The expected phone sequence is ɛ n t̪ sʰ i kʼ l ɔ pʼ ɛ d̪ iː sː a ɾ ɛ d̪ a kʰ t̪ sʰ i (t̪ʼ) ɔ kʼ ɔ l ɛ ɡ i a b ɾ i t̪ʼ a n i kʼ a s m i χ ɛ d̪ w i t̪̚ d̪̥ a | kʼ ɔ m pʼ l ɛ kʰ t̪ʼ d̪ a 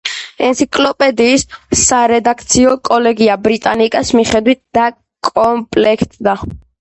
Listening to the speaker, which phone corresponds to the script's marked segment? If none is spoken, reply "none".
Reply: none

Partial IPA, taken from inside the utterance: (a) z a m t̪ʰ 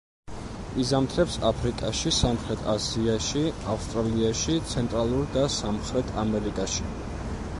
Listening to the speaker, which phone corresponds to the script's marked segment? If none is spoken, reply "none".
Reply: i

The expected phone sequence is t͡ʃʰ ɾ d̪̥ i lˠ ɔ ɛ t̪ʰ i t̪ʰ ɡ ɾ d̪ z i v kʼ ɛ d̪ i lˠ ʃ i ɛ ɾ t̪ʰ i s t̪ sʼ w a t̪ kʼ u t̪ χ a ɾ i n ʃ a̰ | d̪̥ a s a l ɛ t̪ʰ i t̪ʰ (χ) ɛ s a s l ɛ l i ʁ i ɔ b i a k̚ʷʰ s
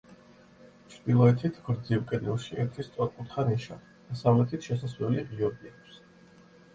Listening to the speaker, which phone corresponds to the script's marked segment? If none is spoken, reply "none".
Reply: ʃ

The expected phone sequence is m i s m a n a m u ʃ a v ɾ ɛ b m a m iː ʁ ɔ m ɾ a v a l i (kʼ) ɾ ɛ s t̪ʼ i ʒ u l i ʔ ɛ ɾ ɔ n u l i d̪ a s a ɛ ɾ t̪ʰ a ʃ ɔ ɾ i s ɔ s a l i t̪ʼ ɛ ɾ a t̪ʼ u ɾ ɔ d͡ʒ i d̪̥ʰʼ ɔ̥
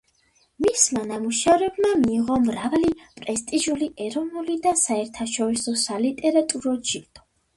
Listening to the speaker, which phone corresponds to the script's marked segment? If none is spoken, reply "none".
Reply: pʼ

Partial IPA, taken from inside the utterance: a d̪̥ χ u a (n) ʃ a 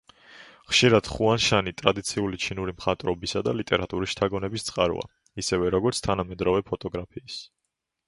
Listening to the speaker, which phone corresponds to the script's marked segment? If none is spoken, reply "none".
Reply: n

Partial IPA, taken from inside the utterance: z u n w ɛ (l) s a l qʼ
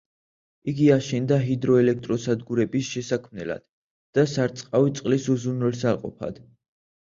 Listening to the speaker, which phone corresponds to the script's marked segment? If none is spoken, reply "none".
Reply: l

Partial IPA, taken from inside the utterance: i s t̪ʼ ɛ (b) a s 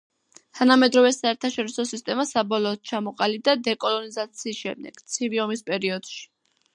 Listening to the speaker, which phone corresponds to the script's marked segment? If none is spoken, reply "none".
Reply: m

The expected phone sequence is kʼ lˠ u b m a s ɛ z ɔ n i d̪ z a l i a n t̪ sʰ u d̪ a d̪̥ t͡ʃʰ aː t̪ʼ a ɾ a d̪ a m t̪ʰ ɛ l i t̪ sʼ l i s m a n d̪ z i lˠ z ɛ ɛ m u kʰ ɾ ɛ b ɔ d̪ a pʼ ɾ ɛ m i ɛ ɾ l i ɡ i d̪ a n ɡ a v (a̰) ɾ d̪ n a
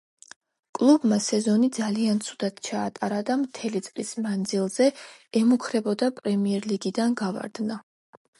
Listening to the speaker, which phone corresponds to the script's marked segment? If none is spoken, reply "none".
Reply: a̰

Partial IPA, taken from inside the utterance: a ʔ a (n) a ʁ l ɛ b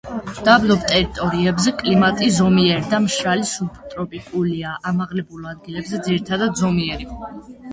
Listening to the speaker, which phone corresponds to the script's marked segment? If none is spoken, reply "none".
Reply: m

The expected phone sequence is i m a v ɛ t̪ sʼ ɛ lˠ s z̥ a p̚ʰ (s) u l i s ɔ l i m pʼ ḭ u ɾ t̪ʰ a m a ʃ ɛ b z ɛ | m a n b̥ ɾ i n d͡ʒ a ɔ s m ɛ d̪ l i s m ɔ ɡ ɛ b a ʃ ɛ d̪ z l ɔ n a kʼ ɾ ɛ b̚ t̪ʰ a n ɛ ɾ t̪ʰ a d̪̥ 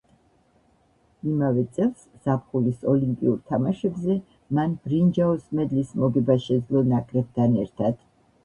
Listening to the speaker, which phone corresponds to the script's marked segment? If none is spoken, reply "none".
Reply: χ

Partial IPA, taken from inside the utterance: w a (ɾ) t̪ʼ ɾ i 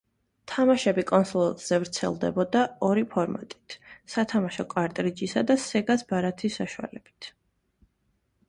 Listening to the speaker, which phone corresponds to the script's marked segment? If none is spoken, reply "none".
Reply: ɾ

